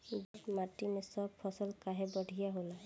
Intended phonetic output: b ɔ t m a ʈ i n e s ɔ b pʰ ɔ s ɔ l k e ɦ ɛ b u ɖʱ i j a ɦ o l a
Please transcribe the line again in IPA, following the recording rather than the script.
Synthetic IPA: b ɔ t m a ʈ i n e s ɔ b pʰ ɔ s ɔ l k a ɦ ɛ b ɔ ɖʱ i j a ɦ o l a